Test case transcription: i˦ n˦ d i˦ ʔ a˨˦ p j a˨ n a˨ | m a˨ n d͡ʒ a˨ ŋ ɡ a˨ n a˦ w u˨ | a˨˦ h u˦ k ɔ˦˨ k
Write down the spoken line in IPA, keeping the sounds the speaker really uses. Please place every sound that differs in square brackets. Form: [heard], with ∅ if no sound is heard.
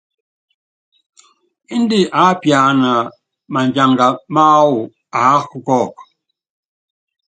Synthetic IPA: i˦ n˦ d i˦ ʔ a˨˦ p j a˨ n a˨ | m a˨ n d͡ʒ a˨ ŋ ɡ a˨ [m] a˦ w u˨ | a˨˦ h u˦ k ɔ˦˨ k